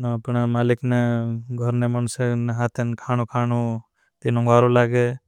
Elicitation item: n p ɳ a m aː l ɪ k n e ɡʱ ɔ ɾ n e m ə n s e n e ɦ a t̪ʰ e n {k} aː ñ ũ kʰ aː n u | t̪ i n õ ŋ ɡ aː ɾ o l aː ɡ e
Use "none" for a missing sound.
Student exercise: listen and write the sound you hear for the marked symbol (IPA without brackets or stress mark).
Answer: kʰ